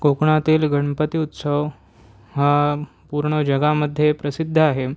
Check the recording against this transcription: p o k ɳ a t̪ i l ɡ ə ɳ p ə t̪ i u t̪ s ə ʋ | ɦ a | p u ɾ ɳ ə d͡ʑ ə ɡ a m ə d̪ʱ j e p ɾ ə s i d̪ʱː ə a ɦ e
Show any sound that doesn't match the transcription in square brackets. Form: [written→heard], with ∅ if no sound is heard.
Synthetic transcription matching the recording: [p→k] o k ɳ a t̪ [i→iː] l ɡ ə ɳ p ə t̪ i u t̪ s ə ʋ | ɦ a | p u ɾ ɳ ə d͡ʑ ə ɡ a m ə d̪ʱ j e p ɾ ə s i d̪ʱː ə a ɦ e